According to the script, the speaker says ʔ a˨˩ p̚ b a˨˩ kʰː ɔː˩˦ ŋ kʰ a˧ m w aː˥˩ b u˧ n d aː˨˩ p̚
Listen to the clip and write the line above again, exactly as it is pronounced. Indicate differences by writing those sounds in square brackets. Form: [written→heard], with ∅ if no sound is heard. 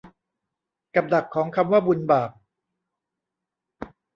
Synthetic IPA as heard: [ʔ→k] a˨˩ p̚ [b→d] a˨˩ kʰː ɔː˩˦ ŋ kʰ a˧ m w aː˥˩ b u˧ n [d→b] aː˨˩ p̚

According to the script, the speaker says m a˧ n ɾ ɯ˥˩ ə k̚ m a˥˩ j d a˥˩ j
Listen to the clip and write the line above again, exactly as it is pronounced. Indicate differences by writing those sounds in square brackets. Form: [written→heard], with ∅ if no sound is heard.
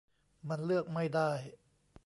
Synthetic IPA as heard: m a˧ n [ɾ→l] ɯ˥˩ ə k̚ m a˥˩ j d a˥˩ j

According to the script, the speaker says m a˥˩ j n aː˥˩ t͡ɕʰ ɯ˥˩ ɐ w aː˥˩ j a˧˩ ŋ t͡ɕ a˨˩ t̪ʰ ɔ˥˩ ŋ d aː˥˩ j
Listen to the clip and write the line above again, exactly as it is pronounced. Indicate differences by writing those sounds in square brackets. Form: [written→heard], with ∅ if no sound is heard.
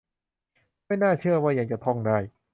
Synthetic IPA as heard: m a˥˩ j n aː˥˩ t͡ɕʰ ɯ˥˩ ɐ w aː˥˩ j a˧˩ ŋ t͡ɕ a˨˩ t̪ʰ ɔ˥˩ ŋ d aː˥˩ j

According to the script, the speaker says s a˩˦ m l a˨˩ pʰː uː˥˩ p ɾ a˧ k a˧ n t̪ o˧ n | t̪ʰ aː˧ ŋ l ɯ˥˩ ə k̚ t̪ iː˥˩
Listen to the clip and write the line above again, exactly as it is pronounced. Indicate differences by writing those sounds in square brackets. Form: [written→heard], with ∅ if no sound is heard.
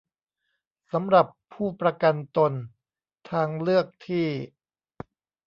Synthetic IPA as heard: s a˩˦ m [l→ɾ] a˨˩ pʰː uː˥˩ p ɾ a˧ k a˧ n t̪ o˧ n | t̪ʰ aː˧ ŋ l ɯ˥˩ ə k̚ [t̪→t̪ʰ] iː˥˩

